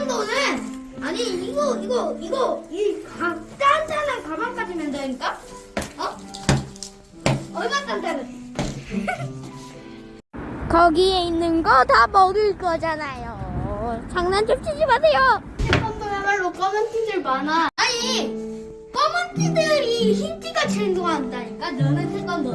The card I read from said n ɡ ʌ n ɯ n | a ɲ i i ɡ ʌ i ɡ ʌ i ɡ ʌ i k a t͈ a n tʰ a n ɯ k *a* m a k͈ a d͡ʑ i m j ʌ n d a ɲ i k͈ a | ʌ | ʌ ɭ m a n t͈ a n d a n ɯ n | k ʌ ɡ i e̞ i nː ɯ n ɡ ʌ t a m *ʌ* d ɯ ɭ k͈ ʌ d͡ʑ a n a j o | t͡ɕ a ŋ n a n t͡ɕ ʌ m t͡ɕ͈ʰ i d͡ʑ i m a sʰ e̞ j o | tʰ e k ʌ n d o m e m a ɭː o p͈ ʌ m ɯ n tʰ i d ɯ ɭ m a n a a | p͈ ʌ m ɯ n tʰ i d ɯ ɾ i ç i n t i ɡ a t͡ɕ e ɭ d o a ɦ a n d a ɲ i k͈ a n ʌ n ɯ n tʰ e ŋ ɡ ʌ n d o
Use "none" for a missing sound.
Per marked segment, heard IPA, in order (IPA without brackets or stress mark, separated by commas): a, ʌ